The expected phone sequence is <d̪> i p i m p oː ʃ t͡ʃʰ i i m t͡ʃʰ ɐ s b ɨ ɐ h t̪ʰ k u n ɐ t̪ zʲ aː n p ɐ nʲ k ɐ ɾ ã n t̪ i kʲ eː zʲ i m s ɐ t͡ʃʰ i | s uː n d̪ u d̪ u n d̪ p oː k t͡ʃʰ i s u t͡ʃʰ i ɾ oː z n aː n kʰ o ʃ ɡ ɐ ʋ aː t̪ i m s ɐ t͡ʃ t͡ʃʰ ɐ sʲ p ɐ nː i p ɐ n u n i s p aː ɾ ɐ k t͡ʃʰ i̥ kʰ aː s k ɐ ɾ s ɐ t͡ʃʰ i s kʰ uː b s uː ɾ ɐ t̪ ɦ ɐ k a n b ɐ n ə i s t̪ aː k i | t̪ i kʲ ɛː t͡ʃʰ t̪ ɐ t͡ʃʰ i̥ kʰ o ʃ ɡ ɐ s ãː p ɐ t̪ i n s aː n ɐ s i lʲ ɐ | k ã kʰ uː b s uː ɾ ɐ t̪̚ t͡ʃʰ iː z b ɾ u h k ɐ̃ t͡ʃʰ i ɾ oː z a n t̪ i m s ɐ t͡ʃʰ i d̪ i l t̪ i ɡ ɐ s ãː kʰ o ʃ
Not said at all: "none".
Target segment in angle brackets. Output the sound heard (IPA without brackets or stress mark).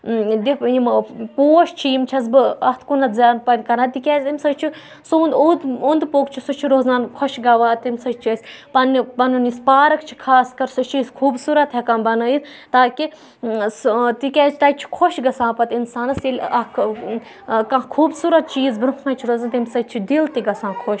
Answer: d̪